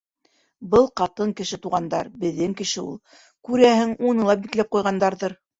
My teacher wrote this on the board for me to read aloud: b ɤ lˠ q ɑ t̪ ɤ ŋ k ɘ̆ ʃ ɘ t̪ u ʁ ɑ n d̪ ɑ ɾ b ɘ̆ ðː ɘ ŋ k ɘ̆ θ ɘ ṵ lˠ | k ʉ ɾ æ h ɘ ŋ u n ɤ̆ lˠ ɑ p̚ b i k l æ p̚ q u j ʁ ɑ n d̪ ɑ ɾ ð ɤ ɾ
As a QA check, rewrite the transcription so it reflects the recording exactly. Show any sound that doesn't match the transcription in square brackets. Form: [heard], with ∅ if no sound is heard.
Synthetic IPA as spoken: b ɤ lˠ q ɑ t̪ ɤ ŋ k ɘ̆ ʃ ɘ t̪ u ʁ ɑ n d̪ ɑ ɾ b ɘ̆ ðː ɘ ŋ k ɘ̆ [ʃ] ɘ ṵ lˠ | k ʉ ɾ æ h ɘ ŋ u n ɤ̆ lˠ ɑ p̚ b i k l æ p̚ q u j ʁ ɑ n d̪ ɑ ɾ ð ɤ ɾ